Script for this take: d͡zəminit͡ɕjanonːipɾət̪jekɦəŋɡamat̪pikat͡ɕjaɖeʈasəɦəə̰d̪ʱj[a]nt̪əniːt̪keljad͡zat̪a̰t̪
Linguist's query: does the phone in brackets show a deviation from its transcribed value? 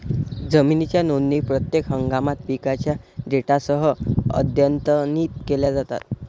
yes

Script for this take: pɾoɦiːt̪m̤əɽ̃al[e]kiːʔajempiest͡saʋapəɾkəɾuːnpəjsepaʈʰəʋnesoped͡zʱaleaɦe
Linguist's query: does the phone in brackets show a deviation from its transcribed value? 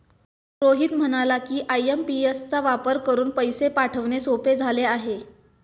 yes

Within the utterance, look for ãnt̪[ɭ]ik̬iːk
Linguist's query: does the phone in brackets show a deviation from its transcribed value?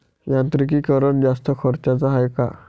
yes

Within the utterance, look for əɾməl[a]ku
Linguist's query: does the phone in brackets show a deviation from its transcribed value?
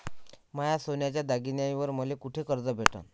yes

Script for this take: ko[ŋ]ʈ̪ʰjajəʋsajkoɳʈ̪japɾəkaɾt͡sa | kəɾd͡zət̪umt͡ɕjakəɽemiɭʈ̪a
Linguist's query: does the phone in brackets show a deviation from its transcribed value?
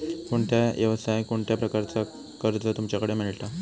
yes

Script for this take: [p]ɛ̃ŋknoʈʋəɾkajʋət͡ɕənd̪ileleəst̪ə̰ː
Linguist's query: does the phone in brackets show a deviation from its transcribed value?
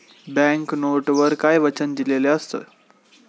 yes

